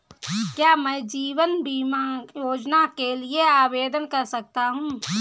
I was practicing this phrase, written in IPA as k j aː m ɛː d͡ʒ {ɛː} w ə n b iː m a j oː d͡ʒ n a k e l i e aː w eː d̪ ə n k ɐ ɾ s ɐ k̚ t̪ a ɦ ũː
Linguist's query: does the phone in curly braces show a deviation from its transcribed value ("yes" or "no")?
yes